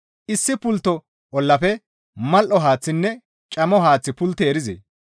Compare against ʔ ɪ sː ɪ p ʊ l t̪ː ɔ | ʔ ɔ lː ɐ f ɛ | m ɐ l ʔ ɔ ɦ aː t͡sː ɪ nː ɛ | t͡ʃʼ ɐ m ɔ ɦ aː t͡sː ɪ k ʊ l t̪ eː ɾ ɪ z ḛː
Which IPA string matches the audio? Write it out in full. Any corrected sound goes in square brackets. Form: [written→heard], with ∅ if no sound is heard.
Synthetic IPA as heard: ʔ ɪ sː ɪ p ʊ l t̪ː ɔ | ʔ ɔ lː ɐ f ɛ | m ɐ l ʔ ɔ ɦ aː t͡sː ɪ nː ɛ | t͡ʃʼ ɐ m ɔ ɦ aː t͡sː ɪ [k→p] ʊ l t̪ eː ɾ ɪ z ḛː